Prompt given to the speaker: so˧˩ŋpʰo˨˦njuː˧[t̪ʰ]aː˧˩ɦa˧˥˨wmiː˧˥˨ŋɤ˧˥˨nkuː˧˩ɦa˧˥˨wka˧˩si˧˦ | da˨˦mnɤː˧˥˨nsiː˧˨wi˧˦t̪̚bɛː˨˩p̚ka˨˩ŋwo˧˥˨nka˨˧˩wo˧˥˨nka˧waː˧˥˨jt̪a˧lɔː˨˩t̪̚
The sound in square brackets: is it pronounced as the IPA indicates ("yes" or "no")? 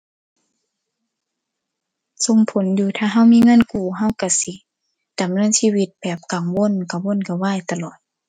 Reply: yes